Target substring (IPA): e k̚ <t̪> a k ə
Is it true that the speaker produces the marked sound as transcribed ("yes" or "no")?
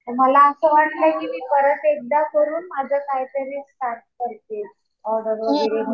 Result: no